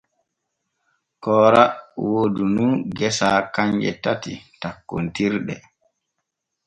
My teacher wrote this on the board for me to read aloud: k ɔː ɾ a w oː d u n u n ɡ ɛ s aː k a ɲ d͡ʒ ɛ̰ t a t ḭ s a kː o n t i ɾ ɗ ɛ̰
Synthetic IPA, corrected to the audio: k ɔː ɾ a w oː d u n u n ɡ ɛ s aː k a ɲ d͡ʒ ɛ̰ t a t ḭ t a kː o n t i ɾ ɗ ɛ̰